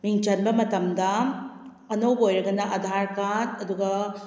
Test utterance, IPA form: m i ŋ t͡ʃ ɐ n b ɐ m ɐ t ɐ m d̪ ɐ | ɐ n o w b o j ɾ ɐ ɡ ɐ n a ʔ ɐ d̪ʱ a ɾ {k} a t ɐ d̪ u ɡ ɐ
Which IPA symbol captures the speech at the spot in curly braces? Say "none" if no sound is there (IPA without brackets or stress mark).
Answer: k